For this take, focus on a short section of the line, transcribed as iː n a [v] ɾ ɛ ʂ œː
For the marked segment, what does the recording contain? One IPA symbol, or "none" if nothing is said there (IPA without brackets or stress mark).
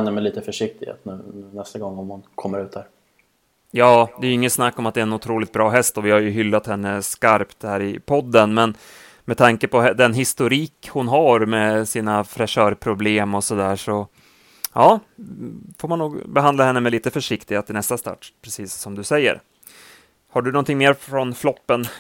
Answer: f